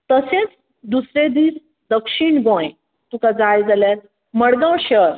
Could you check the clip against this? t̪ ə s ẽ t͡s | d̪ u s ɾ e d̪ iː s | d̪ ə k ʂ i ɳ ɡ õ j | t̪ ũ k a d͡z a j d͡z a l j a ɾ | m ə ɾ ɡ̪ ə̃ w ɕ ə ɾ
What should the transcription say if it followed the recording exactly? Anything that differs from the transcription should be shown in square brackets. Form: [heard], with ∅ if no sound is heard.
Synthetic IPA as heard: t̪ ə s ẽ t͡s | d̪ u s ɾ e d̪ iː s | d̪ ə k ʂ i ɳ ɡ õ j | t̪ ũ k a d͡z a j d͡z a l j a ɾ | m ə [ɽ] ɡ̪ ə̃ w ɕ ə ɾ